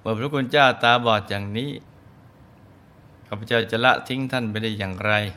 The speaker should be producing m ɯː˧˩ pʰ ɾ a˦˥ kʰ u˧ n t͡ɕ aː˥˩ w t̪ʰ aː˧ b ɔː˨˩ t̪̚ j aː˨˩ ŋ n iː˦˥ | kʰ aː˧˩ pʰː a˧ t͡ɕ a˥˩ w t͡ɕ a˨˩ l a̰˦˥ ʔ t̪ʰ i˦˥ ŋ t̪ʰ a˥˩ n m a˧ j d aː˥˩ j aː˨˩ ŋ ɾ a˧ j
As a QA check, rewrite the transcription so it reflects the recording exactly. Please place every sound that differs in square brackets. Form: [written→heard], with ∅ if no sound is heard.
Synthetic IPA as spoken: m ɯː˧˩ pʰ ɾ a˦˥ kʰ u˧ n t͡ɕ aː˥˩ w [t̪ʰ→t̪] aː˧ b ɔː˨˩ t̪̚ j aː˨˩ ŋ n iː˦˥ | kʰ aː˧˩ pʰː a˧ t͡ɕ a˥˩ w t͡ɕ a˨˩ l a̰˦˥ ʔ t̪ʰ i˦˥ ŋ t̪ʰ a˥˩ n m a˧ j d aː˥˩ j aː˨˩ ŋ ɾ a˧ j